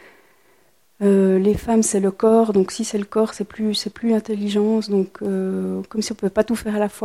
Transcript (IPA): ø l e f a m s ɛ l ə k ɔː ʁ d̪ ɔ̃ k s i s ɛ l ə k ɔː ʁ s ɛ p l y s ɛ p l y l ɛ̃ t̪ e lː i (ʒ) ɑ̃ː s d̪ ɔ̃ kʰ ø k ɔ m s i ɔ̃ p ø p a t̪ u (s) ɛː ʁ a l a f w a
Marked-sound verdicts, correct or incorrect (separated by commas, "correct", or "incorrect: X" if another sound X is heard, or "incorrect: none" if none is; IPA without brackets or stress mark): correct, incorrect: f